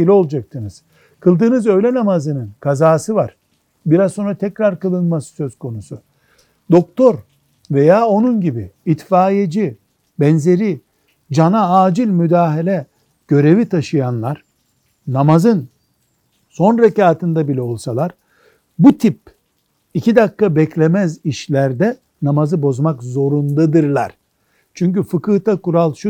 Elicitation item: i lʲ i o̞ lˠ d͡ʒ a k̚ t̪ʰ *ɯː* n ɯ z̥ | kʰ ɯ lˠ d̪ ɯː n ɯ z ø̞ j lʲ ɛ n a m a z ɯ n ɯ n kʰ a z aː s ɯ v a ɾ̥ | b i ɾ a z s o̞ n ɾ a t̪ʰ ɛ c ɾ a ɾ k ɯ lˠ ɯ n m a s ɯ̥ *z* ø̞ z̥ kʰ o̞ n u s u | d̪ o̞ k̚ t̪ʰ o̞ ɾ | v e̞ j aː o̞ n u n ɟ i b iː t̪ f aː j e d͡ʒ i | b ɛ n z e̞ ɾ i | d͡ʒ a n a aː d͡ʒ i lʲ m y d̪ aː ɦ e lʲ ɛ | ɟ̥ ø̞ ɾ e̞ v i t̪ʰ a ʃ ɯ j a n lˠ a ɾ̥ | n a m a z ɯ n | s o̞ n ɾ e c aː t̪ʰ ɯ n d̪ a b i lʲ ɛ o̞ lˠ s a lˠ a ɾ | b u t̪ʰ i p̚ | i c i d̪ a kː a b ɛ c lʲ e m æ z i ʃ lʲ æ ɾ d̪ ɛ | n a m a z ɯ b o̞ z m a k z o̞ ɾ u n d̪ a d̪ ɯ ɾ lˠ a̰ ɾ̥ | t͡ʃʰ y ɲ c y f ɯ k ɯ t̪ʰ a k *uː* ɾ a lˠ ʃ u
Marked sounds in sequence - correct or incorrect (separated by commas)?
incorrect, incorrect, incorrect